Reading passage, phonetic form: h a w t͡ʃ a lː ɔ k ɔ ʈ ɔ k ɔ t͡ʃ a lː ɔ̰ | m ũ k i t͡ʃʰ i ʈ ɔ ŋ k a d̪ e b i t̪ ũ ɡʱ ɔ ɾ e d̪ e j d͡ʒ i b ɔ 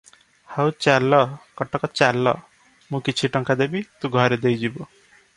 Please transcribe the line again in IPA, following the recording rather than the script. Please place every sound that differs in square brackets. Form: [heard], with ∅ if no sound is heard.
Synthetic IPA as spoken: h a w t͡ʃ a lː ɔ k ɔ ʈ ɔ k ɔ t͡ʃ a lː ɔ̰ | m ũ k i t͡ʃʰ i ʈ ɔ ŋ k a d̪ e b i t̪ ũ ɡʱ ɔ ɾ e d̪ e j d͡ʒ i b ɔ